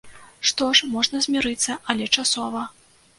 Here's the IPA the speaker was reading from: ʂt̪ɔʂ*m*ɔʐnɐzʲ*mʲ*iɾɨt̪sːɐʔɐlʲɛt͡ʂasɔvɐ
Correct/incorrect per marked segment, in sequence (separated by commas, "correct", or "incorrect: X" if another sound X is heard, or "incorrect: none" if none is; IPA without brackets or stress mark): correct, correct